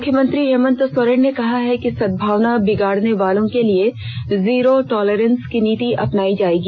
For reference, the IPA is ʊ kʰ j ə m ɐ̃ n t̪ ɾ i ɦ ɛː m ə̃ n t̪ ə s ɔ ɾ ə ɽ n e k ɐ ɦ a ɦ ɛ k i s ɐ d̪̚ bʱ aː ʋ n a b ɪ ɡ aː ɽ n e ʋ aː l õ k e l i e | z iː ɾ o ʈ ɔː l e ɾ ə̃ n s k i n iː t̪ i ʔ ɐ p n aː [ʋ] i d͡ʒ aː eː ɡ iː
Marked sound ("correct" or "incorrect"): incorrect